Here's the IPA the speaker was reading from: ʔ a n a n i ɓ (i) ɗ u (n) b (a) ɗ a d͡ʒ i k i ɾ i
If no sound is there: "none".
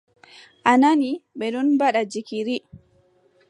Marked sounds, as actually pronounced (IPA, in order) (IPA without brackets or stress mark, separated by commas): ɛ, n, a